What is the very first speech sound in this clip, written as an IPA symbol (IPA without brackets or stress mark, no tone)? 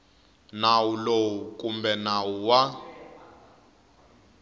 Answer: n